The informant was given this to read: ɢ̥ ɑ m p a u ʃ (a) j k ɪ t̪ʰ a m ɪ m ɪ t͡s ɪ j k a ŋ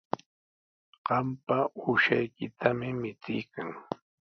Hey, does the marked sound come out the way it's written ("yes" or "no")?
yes